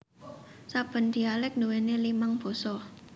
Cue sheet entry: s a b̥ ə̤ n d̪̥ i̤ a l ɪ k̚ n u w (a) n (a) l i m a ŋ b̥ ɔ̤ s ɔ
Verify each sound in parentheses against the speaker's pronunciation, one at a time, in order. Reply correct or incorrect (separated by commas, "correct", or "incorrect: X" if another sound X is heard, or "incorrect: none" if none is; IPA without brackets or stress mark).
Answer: incorrect: e, incorrect: e